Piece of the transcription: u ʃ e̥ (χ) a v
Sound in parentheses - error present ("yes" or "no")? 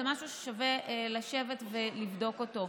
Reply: yes